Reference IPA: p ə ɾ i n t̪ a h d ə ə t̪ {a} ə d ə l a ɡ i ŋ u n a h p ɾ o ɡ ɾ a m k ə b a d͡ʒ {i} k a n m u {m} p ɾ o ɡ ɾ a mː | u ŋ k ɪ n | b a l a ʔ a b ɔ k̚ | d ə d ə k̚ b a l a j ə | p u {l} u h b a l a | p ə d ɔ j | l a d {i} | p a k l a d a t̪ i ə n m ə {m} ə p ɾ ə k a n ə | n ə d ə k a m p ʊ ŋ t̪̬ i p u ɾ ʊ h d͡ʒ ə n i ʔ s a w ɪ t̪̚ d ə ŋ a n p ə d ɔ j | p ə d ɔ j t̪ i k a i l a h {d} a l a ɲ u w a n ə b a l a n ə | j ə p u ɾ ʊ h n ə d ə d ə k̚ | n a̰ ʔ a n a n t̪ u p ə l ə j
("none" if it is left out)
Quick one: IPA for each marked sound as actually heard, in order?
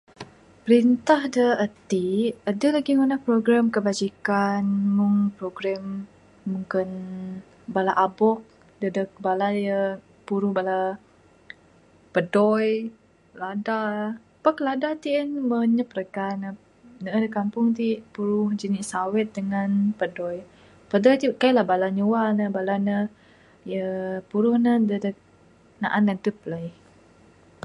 i, i, ŋ, ɾ, a, ɲ, b

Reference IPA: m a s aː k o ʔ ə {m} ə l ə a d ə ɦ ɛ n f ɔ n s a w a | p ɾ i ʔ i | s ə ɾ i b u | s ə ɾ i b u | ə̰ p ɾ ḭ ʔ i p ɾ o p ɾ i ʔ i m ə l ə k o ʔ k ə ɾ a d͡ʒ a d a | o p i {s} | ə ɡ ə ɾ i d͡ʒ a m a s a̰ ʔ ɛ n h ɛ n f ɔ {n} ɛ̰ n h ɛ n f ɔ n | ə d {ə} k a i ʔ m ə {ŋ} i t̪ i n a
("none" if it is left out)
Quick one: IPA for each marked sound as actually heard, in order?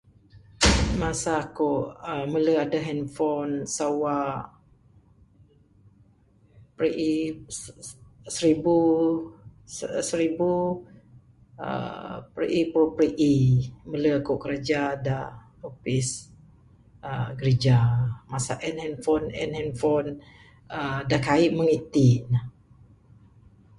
m, s, n, a, ŋ

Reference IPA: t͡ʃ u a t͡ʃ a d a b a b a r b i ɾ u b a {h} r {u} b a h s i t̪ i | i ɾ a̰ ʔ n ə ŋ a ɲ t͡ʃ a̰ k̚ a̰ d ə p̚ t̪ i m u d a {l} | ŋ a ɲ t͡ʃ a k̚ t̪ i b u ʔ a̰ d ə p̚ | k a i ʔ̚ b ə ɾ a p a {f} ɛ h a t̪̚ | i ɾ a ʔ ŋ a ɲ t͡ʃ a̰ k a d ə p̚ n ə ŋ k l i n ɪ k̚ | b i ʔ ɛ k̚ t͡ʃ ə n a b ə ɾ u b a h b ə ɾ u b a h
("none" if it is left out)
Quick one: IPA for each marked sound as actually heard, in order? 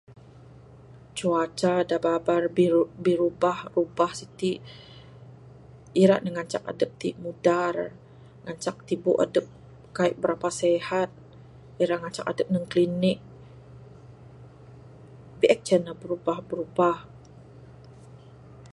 h, u, r, s

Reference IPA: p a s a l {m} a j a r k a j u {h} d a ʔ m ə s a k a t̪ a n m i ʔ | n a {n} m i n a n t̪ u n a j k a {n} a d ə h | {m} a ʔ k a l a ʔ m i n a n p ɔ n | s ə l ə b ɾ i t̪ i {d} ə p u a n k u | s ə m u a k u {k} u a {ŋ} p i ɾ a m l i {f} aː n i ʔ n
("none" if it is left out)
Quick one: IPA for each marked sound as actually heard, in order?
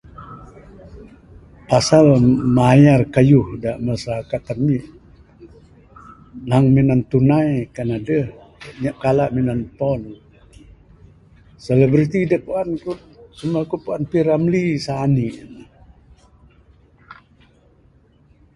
m, h, ŋ, n, ɲ, d, p, n, s

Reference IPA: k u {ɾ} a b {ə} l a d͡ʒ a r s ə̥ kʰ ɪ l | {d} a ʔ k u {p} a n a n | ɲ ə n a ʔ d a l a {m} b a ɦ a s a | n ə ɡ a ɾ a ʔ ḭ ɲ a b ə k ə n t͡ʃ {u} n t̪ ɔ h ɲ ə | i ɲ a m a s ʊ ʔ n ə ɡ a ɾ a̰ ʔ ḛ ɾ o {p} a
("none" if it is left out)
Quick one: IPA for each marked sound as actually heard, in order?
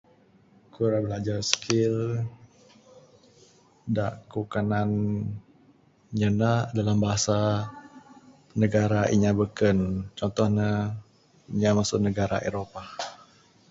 ɾ, ə, d, k, m, ɔ, p

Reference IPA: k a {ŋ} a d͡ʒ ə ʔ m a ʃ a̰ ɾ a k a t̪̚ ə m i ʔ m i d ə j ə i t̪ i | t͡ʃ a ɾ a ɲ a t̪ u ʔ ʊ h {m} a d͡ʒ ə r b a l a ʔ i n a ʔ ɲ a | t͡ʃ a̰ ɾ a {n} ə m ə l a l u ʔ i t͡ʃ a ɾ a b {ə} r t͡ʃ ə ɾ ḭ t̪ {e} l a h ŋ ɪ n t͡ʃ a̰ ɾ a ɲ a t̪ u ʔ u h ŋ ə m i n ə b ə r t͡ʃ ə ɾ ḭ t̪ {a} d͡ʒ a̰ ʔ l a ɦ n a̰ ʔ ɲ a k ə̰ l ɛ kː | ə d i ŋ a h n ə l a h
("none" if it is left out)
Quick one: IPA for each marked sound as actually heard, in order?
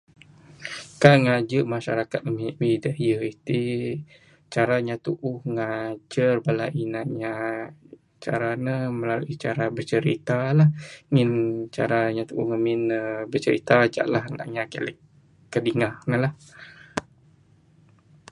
ŋ, ŋ, n, ə, a, a

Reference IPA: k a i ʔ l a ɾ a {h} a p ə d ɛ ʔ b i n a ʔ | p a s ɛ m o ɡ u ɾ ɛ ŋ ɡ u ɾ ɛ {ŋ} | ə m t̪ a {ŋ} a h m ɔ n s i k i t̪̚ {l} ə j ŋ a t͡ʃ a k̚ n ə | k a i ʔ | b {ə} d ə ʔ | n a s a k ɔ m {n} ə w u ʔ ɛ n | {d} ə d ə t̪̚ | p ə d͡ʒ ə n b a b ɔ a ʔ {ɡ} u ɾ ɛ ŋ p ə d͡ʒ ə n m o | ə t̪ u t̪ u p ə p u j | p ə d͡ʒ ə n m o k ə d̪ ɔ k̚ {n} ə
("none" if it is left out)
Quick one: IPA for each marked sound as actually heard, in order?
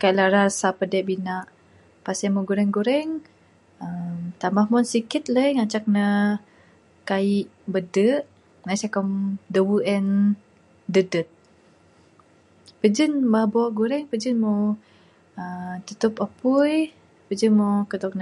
s, ŋ, m, l, ə, d, d, ɡ, n

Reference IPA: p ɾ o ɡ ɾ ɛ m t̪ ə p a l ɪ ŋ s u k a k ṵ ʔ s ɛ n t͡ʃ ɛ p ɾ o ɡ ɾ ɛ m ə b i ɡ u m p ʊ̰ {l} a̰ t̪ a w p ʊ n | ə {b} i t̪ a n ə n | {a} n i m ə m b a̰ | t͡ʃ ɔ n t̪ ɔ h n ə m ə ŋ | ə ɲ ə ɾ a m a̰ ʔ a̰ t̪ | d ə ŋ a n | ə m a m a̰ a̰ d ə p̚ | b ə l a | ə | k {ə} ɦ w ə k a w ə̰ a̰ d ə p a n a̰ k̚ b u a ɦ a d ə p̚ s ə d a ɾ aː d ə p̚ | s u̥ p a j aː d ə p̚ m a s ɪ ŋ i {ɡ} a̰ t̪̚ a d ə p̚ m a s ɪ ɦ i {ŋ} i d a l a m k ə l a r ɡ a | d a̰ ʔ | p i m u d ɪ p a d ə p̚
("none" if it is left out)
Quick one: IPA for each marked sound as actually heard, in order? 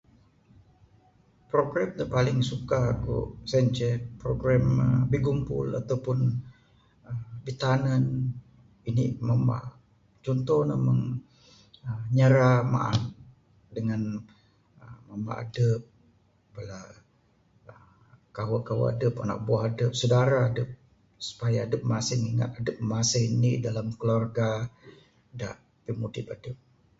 l, b, i, a, ŋ, n

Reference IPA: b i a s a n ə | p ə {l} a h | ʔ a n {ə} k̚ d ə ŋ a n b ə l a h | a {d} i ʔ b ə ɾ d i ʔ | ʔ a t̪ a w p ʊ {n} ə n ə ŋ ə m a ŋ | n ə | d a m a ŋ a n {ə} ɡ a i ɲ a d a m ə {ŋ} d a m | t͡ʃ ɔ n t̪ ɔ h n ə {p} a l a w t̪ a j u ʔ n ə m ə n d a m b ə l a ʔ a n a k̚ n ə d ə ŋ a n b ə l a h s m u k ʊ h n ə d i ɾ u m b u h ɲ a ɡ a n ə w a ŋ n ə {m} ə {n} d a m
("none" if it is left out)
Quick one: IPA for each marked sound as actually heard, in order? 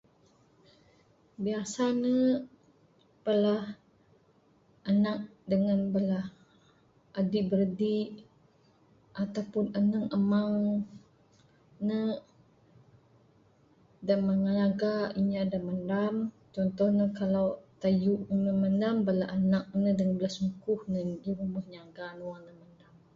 l, a, d, n, a, n, k, m, n

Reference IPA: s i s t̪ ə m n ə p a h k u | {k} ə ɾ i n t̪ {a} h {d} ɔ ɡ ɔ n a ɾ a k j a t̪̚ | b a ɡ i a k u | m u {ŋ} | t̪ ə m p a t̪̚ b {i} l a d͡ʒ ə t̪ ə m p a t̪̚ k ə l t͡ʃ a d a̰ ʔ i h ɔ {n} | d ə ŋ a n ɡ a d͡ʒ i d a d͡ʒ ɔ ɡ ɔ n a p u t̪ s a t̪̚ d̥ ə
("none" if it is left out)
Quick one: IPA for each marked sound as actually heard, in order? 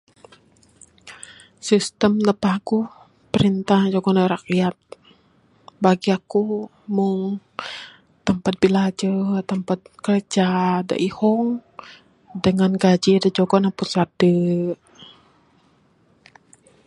p, a, d͡ʒ, ŋ, i, ŋ

